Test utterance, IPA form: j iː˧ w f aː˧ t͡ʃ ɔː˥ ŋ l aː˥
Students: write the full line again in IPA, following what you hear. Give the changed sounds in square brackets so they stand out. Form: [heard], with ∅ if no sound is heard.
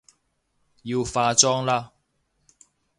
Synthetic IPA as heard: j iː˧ w f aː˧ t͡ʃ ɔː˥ ŋ l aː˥